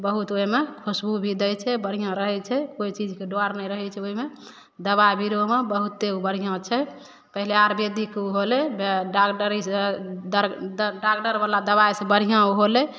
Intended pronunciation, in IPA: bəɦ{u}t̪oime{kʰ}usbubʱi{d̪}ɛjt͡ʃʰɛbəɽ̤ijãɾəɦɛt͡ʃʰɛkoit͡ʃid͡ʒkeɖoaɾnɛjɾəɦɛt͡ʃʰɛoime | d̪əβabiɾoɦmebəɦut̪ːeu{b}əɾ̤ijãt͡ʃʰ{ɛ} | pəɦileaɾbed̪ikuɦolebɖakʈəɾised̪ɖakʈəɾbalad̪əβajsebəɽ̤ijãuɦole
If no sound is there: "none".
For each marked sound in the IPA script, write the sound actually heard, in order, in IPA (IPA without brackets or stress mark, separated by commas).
u, kʰ, d̪, b, ɛ